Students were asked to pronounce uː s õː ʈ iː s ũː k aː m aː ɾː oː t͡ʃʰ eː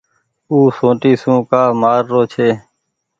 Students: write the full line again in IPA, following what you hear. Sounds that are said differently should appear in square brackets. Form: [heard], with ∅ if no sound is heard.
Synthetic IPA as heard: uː s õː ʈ iː s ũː k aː m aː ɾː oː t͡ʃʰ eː